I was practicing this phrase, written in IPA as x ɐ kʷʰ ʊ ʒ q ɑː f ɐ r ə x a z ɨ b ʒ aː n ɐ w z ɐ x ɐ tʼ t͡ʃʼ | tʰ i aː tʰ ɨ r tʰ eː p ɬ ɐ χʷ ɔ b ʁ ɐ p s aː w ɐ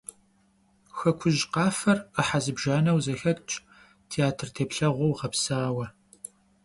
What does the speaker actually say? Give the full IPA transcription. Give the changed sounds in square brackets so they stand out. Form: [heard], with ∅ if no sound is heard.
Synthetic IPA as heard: x ɐ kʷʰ ʊ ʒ q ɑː f ɐ r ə [ħ] a z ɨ b ʒ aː n ɐ w z ɐ x ɐ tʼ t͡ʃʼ | tʰ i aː tʰ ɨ r tʰ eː p ɬ ɐ [ʁʷ] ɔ [w] ʁ ɐ p s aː w ɐ